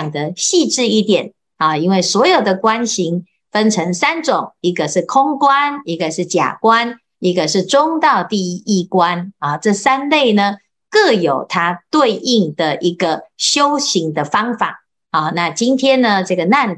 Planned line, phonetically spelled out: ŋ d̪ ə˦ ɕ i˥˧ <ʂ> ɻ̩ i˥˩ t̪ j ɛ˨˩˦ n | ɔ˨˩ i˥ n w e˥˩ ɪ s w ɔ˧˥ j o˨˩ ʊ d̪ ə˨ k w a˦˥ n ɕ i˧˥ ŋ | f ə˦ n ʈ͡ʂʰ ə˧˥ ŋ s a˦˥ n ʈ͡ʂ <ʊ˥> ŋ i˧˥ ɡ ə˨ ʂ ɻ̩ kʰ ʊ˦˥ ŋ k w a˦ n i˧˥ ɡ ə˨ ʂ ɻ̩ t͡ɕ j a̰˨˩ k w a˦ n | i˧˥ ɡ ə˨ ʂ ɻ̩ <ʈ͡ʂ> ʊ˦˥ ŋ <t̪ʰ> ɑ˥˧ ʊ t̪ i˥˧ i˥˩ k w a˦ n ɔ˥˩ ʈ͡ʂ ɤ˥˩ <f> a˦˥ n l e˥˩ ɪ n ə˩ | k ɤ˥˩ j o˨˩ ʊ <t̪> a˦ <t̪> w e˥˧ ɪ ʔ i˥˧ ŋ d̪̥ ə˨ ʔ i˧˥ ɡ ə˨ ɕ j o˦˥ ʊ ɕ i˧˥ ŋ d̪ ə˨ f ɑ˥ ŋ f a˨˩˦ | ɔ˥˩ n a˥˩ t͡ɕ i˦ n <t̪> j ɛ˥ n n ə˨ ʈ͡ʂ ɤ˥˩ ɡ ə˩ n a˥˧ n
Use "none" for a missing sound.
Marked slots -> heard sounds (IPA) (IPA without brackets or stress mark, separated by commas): ʈ͡ʂ, ʊ˨˩˦, ʈ͡ʂ, t̪, s, t̪ʰ, t̪, t̪ʰ